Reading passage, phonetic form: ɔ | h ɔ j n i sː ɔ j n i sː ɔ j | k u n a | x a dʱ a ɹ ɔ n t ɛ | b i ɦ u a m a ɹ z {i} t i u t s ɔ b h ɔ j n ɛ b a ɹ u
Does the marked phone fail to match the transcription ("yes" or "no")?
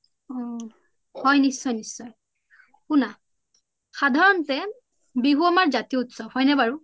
yes